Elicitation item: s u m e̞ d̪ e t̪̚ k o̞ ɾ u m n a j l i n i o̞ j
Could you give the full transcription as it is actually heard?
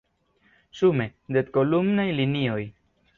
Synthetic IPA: s u m e̞ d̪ e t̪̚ k o̞ l u m n a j l i n i o̞ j